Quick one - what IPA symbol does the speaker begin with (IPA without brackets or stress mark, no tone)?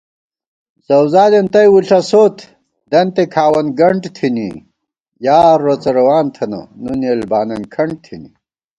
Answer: z